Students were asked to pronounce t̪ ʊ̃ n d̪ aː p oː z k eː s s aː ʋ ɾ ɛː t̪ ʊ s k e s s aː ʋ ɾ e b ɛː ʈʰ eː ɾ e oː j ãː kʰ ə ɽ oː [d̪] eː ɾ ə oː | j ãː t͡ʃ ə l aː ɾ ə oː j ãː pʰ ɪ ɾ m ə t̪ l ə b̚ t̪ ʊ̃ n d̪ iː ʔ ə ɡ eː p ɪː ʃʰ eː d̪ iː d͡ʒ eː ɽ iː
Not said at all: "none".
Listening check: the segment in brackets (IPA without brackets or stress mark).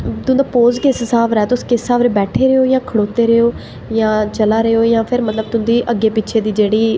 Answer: t̪